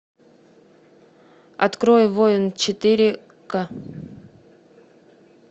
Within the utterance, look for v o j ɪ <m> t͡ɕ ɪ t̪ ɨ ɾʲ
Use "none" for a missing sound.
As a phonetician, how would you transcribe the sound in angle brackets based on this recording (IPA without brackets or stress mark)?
n